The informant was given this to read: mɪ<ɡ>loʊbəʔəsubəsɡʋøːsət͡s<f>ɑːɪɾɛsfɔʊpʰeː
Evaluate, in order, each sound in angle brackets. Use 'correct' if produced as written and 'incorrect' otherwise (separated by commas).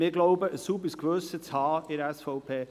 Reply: correct, incorrect